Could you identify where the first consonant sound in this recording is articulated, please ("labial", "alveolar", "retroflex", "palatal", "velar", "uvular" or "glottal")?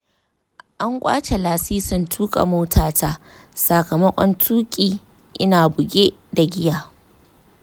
glottal